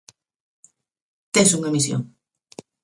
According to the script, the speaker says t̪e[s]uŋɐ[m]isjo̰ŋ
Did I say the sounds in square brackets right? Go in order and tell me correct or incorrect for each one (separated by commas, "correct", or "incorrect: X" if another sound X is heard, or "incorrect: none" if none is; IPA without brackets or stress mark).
correct, correct